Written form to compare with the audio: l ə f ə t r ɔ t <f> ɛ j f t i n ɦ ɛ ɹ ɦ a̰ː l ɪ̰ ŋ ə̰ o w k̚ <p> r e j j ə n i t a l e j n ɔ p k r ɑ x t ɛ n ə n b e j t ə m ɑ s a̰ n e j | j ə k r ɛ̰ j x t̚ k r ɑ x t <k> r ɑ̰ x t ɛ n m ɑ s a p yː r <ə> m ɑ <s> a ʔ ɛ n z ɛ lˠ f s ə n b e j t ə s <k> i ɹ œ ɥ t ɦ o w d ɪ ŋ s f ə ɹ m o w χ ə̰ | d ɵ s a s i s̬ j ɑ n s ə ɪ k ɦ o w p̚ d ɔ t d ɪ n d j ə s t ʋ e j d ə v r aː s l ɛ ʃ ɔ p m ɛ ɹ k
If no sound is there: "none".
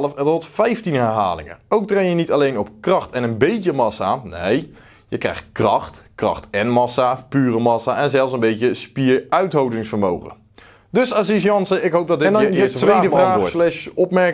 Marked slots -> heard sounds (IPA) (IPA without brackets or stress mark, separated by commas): f, t, k, ə, s, p